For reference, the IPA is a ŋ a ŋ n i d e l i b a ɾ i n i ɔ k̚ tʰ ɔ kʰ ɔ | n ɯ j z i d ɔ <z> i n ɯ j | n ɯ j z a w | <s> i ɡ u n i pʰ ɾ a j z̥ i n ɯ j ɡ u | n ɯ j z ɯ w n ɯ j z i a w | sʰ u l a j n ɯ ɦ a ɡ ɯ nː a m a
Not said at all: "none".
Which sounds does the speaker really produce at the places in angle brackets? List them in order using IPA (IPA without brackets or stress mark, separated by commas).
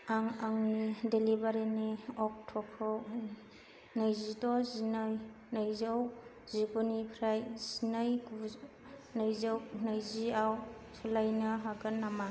z, z